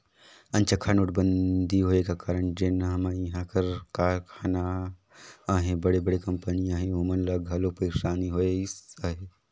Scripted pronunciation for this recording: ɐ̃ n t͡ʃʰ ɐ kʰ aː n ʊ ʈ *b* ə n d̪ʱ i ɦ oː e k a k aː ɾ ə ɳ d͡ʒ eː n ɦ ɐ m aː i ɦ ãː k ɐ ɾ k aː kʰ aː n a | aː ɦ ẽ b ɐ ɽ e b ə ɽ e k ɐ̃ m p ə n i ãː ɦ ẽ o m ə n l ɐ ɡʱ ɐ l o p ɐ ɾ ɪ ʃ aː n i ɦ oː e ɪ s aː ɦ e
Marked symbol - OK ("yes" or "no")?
yes